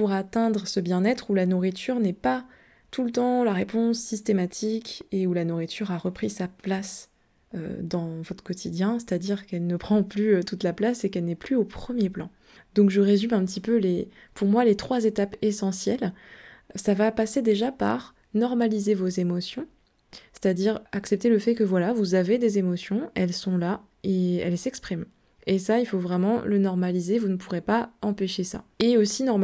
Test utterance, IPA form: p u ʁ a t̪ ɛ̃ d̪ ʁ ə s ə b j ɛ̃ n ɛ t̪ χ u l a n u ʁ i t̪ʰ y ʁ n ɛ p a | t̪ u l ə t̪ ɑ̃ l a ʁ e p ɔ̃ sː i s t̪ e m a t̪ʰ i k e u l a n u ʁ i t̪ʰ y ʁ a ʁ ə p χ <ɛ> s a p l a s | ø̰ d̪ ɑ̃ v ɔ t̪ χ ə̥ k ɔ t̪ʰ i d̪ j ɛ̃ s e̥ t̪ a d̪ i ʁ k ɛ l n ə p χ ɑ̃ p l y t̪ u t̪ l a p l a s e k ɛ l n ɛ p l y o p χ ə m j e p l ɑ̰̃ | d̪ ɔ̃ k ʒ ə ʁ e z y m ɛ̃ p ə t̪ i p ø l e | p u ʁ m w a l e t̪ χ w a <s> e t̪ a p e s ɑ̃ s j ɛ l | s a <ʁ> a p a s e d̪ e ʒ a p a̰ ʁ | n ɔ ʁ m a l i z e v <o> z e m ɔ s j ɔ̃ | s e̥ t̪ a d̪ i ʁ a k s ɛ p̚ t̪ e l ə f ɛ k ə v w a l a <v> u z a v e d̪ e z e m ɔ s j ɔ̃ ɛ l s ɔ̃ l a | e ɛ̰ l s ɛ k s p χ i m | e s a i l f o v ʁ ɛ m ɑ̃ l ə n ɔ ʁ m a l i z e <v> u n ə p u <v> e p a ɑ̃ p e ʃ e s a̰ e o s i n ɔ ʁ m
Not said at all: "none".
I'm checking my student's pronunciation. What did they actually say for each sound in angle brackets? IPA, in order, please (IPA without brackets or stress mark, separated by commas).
i, z, v, o, v, v, ʁ